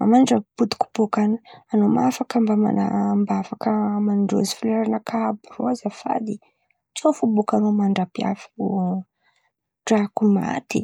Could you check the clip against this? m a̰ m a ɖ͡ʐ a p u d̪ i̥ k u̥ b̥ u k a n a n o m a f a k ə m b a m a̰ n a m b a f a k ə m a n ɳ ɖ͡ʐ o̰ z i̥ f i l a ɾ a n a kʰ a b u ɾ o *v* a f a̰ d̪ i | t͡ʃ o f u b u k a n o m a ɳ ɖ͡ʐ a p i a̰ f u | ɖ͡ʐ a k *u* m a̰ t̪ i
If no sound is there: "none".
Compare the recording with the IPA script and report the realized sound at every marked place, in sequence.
z, u

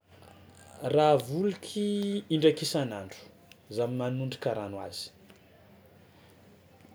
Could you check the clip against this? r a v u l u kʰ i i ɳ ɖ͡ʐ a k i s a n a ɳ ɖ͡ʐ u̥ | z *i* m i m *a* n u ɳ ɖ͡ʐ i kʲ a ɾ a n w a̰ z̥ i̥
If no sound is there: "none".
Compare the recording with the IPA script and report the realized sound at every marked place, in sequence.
a, a

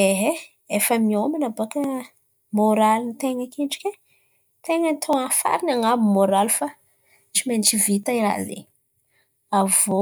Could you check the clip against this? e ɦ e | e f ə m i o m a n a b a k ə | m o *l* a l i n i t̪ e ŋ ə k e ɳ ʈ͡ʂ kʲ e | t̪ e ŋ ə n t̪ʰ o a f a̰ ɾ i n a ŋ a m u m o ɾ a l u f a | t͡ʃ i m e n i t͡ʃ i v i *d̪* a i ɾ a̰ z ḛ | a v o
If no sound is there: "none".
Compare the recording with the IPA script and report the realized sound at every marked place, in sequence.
ɾ, t̪

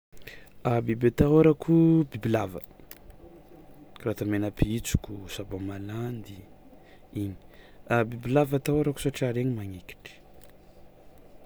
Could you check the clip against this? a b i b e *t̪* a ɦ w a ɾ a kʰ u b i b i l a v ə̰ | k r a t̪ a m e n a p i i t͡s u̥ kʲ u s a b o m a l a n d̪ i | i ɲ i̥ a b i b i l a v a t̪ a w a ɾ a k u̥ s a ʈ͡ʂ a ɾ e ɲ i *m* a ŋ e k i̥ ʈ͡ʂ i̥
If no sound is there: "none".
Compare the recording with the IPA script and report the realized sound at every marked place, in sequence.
t̪, m

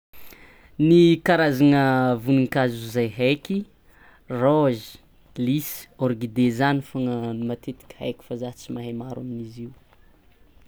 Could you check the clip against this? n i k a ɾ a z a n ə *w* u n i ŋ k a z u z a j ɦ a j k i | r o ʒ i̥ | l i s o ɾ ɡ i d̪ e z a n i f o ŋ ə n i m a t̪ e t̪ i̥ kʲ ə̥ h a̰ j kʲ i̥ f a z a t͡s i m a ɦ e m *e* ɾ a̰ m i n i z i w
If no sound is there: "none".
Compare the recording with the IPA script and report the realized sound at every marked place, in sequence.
v, a

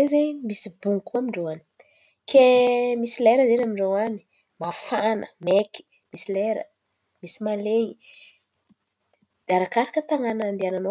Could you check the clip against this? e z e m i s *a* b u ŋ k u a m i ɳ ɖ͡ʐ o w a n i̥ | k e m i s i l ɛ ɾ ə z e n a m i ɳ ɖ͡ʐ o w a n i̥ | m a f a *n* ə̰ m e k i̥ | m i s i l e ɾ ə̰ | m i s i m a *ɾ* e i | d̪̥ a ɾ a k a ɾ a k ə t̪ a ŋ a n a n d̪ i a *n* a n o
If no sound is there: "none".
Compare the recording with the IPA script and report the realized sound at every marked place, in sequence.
i, n, l, n

